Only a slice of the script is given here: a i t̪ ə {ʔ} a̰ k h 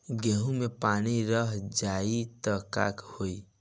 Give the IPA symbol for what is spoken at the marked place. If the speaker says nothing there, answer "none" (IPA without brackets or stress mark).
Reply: k